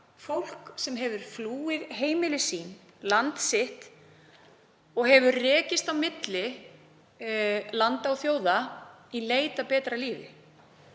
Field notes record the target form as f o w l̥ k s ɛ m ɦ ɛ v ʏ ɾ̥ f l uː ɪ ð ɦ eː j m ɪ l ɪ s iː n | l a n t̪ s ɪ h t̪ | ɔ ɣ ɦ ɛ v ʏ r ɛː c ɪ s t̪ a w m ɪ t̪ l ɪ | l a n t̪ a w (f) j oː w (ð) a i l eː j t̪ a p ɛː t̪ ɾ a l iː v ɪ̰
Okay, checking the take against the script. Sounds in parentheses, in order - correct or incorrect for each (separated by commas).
incorrect, correct